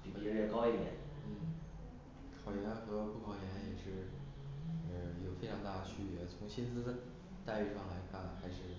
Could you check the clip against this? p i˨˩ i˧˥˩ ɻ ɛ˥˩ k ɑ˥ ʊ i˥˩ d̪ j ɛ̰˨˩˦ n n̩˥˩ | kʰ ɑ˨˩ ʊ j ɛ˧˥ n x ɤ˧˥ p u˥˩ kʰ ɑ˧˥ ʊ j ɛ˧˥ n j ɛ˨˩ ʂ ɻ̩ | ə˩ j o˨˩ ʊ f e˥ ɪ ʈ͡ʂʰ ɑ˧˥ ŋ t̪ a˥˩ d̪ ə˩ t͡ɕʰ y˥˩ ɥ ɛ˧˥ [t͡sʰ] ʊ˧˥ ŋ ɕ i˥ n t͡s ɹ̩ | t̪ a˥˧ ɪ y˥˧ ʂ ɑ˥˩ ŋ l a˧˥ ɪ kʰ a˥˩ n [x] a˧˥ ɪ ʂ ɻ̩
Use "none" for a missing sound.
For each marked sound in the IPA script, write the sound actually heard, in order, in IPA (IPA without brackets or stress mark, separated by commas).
t͡sʰ, x